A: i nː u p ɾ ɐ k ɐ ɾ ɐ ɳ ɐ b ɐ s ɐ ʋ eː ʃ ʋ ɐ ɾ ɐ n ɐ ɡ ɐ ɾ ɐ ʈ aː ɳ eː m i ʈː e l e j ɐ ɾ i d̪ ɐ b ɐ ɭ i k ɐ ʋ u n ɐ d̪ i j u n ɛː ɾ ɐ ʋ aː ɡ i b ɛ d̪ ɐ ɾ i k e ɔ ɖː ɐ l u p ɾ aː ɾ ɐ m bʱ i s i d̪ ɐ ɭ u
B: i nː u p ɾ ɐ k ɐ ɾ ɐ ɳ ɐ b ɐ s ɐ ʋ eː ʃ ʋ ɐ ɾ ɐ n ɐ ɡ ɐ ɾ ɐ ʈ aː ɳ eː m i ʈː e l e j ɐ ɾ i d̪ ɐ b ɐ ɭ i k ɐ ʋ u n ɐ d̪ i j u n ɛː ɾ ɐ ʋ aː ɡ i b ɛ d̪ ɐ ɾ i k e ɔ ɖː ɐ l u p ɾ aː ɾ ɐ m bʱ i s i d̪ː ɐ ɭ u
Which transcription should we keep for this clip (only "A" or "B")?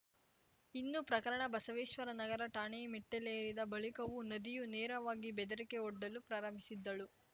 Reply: B